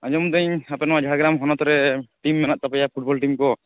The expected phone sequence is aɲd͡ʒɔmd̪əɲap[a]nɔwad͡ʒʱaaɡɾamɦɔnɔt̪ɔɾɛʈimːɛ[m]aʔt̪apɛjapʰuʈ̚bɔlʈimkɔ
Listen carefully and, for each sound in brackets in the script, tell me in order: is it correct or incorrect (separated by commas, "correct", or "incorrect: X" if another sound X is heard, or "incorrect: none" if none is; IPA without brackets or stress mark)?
incorrect: ɛ, incorrect: n